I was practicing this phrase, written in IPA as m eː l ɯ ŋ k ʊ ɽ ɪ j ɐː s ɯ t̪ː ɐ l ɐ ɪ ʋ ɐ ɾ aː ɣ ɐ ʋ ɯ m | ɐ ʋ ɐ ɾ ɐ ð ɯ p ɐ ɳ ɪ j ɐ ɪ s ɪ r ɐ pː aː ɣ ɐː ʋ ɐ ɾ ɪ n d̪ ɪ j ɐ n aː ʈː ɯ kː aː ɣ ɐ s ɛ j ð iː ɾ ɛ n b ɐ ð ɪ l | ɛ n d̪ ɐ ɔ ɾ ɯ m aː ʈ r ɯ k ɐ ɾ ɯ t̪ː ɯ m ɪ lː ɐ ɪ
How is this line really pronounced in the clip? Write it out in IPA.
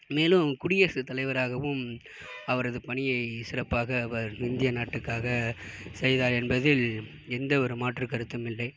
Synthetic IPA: m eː l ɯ m k ʊ ɽ ɪ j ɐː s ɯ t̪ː ɐ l ɐ ɪ ʋ ɐ ɾ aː ɣ ɐ ʋ ɯ m | ɐ ʋ ɐ ɾ ɐ ð ɯ p ɐ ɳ ɪ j ɐ ɪ s ɪ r ɐ pː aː ɣ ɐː ʋ ɐ ɾ ɪ n d̪ ɪ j ɐ n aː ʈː ɯ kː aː ɣ ɐ s ɛ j ð aː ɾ ɛ n b ɐ ð ɪ l | ɛ n d̪ ɐ ɔ ɾ ɯ m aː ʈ r ɯ k ɐ ɾ ɯ t̪ː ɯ m ɪ lː ɐ ɪ